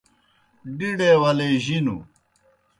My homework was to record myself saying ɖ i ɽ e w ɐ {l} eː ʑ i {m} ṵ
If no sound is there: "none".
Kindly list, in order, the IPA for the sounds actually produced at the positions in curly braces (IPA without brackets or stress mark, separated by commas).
l, n